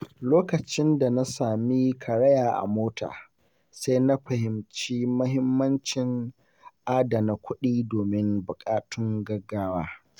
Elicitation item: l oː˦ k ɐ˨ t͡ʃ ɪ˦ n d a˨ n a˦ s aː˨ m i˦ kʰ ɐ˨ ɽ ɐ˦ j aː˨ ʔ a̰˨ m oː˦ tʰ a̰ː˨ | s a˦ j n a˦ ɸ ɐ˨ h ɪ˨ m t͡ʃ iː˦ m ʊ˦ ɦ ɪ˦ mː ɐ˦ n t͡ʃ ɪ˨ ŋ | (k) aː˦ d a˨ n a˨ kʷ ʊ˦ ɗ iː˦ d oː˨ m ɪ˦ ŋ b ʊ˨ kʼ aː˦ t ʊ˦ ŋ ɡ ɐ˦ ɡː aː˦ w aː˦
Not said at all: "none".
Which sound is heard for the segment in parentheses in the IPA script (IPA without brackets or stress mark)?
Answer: ʔ